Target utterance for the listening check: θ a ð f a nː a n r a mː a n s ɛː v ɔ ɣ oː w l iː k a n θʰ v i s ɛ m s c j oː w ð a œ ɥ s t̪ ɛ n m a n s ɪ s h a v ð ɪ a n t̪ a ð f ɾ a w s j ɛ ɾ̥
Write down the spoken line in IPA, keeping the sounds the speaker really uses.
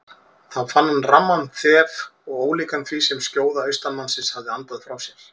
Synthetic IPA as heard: θ a ð f a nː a n r a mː a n θ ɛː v ɔ ɣ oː w l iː k a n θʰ v i s ɛ m s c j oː w ð a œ ɥ s t̪ a n m a n s ɪ s h a v ð ɪ a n t̪ a ð f ɾ a w s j ɛ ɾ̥